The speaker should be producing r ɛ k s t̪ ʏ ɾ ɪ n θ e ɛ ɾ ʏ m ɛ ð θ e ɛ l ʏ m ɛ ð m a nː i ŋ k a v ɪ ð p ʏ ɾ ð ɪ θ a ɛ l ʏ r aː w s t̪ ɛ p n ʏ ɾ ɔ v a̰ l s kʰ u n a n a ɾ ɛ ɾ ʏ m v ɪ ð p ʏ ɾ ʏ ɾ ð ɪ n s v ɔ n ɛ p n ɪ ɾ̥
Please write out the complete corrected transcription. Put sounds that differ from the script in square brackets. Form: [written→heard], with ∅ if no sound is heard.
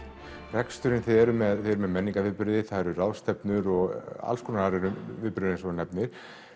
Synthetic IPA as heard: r ɛ k s t̪ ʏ ɾ ɪ n θ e ɛ ɾ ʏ m ɛ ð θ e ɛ [l→ɾ] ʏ m ɛ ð m [a→ɛ] nː i ŋ k a v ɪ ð p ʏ ɾ ð ɪ θ a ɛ [l→ɾ] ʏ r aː w s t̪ ɛ p n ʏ ɾ ɔ [v→ɣ] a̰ l s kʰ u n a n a ɾ ɛ ɾ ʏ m v ɪ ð p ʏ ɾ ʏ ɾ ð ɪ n s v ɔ n ɛ p n ɪ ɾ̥